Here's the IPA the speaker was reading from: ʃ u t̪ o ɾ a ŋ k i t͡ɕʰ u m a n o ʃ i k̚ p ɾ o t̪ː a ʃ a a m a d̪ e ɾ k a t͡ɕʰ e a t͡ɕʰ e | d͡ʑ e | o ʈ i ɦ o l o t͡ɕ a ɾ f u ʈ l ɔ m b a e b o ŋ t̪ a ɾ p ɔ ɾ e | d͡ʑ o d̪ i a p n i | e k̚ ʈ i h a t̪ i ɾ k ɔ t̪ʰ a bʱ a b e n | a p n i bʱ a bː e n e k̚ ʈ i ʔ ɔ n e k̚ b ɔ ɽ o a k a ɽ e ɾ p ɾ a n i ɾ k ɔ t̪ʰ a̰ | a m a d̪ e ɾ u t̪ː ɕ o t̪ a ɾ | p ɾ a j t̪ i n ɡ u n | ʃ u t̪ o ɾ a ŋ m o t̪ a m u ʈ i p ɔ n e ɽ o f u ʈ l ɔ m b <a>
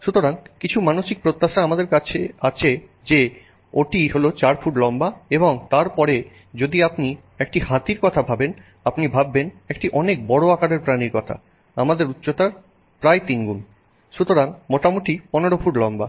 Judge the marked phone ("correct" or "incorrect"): correct